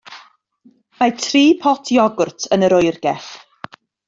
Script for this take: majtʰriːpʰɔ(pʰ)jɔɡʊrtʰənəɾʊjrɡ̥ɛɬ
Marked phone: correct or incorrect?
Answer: incorrect